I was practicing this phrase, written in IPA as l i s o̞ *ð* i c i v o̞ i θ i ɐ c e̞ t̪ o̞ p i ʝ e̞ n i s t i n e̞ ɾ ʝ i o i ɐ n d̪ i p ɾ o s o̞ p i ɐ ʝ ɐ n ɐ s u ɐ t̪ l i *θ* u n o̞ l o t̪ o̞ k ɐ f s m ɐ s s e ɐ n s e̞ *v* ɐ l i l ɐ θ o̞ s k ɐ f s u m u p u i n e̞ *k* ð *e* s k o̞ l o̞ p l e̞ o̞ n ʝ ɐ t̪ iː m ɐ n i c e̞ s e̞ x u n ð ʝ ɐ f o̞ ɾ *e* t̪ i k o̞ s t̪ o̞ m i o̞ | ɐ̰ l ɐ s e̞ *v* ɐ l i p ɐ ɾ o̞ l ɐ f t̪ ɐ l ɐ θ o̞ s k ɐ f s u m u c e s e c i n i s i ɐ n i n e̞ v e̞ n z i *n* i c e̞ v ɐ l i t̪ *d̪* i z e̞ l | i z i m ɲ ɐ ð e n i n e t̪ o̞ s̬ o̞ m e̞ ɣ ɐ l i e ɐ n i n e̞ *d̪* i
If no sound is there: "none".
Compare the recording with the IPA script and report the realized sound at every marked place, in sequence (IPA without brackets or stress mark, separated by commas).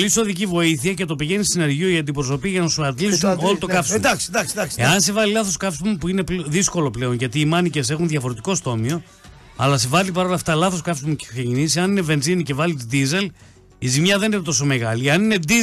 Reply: ð, s, v, p, i, e, v, n, d̪, d̪